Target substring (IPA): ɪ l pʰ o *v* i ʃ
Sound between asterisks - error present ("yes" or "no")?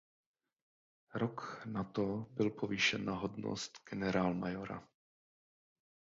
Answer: no